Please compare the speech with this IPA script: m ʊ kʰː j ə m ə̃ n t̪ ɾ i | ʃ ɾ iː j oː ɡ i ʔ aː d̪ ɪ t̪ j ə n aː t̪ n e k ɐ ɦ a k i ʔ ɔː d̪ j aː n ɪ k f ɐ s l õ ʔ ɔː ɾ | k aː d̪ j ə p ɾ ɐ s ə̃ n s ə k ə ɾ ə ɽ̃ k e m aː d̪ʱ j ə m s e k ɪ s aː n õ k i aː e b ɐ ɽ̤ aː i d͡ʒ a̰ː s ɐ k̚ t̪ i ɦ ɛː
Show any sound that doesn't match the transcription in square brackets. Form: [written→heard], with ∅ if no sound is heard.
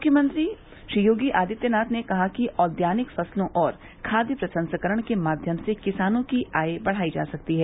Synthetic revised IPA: m ʊ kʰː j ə m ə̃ n t̪ ɾ i | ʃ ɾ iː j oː ɡ i ʔ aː d̪ ɪ t̪ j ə n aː t̪ n e k ɐ ɦ a k i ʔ ɔː d̪ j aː n ɪ k f ɐ s l õ ʔ ɔː ɾ | [k→kʰ] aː d̪ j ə p ɾ ɐ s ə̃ n s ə k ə ɾ ə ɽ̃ k e m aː d̪ʱ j ə m s e k ɪ s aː n õ k i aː e b ɐ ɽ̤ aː i d͡ʒ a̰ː s ɐ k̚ t̪ i ɦ ɛː

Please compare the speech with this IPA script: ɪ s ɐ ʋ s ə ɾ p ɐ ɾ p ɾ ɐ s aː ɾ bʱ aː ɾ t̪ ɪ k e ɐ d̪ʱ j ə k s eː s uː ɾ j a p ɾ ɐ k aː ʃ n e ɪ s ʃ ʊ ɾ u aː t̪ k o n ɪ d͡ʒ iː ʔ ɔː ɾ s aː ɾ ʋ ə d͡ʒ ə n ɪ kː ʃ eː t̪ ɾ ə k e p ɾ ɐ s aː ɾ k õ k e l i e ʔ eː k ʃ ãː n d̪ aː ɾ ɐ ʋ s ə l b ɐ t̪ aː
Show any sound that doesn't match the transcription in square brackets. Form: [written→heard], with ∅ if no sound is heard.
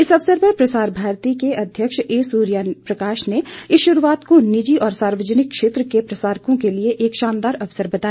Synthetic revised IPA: ɪ s ɐ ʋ s ə ɾ p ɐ ɾ p ɾ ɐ s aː ɾ bʱ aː ɾ t̪ [ɪ→i] k e ɐ d̪ʱ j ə k [s→ʃ] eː s uː ɾ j a p ɾ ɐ k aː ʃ n e ɪ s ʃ ʊ ɾ u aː t̪ k o n ɪ d͡ʒ [iː→i] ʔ ɔː ɾ s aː ɾ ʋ ə d͡ʒ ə n ɪ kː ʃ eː t̪ ɾ ə k e p ɾ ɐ s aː ɾ k õ k e l i e ʔ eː k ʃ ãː n d̪ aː ɾ ɐ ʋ s ə [l→ɾ] b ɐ t̪ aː

